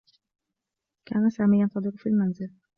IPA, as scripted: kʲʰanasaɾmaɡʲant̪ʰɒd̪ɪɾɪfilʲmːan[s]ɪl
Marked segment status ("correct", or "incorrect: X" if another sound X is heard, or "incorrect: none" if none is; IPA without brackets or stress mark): incorrect: z